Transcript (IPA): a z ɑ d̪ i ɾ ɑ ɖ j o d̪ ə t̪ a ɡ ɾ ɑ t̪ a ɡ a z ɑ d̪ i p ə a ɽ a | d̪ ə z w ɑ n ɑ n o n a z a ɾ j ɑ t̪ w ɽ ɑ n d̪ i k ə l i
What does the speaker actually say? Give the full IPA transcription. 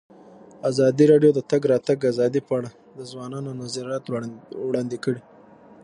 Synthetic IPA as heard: a z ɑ d̪ i ɾ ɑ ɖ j o d̪ ə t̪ a ɡ ɾ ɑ t̪ a ɡ a z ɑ d̪ i p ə a ɽ a | d̪ ə z w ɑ n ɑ n o n a z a ɾ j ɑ t̪ w ɽ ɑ n d̪ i k ə ɽ i